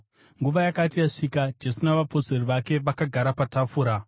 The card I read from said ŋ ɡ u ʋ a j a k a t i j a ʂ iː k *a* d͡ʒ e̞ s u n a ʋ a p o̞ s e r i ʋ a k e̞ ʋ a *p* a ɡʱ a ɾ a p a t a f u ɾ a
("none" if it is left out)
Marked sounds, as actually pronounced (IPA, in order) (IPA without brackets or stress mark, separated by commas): a, k